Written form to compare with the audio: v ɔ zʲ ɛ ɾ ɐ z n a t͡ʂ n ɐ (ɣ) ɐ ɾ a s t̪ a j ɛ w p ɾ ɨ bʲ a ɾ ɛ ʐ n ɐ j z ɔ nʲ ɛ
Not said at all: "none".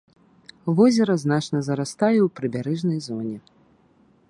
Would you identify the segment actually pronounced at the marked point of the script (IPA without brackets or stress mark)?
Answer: z